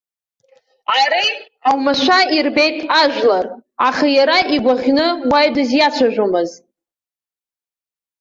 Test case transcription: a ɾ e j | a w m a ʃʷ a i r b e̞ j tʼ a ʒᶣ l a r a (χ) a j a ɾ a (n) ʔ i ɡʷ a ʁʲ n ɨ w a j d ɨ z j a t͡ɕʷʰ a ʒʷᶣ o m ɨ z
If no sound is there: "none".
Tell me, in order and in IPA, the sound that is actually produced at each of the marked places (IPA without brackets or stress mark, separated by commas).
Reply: χ, none